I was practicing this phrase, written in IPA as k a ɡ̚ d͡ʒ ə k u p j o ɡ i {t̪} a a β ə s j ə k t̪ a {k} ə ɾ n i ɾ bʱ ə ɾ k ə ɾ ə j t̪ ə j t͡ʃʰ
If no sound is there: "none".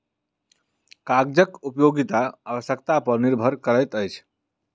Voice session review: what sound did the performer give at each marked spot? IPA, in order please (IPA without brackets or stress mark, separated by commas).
t̪, p